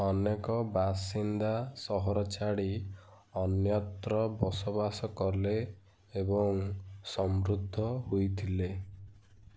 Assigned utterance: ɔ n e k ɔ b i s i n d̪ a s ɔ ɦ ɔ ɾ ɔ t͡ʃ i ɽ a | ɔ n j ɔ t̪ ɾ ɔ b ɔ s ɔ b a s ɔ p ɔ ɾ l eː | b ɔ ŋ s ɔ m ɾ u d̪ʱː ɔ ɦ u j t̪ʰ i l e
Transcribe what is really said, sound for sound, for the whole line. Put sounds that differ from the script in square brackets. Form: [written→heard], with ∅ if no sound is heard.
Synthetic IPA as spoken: ɔ n e k ɔ b [i→a] s i n d̪ a s ɔ ɦ ɔ ɾ ɔ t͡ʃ [i→a] ɽ [a→i] | ɔ n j ɔ t̪ ɾ ɔ b ɔ s ɔ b a s ɔ [p→k] ɔ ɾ l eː | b ɔ ŋ s ɔ m ɾ u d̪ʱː ɔ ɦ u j t̪ʰ i l e